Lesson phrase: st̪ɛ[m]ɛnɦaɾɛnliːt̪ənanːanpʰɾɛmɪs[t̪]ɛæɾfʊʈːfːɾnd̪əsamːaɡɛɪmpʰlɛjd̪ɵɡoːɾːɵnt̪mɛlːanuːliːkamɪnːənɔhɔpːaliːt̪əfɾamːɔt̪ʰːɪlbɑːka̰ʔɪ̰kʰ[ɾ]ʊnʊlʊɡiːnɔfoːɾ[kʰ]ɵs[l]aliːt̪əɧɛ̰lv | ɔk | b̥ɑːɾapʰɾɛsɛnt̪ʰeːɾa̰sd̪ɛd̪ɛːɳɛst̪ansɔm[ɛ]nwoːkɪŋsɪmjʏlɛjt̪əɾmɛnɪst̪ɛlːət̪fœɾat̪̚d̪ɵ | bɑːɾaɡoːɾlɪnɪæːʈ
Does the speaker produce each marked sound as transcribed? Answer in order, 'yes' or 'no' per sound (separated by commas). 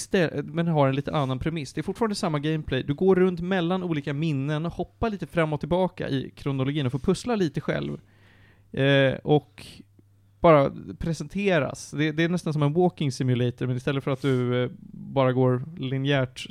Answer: yes, no, yes, no, yes, yes